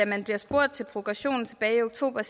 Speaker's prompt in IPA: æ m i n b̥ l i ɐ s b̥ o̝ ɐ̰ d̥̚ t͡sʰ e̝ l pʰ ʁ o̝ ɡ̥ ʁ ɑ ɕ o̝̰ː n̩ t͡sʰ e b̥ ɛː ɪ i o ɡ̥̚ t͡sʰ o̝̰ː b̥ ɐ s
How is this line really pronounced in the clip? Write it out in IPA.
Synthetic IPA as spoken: æ m æ n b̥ l i ɐ s b̥ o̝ ɐ̰ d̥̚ t͡sʰ e̝ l pʰ ʁ o̝ ɡ̥ ʁ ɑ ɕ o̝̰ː n̩ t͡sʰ e b̥ ɛː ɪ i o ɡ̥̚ t͡sʰ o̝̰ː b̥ ɐ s